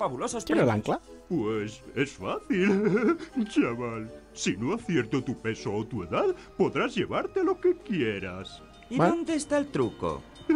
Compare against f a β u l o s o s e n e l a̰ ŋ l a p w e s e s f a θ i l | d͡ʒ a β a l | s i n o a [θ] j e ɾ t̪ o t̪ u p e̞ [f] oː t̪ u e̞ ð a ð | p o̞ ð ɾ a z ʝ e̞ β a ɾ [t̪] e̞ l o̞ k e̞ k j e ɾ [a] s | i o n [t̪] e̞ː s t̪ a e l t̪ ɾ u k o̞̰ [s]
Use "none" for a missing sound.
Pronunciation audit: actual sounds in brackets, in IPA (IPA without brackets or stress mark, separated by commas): θ, s, t̪, a, d̪, none